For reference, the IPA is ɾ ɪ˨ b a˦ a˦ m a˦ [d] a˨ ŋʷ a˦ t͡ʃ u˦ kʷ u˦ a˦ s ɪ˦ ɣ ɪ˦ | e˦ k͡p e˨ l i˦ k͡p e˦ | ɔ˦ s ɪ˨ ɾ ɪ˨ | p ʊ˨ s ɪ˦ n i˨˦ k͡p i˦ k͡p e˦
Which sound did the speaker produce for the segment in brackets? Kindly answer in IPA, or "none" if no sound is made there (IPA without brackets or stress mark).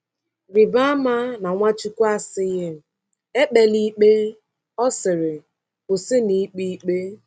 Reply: n